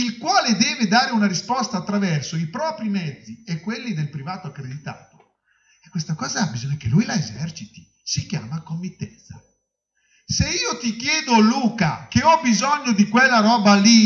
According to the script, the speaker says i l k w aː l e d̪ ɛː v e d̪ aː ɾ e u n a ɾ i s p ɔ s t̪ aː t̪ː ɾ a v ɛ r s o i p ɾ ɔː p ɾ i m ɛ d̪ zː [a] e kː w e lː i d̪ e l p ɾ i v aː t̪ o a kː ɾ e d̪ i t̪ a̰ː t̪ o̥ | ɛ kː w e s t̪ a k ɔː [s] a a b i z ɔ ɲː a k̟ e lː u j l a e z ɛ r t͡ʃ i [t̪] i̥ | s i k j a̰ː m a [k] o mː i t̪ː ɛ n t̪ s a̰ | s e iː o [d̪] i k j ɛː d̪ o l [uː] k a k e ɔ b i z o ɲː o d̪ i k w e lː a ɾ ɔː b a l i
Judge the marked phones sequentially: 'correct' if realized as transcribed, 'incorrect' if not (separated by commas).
incorrect, incorrect, correct, correct, incorrect, correct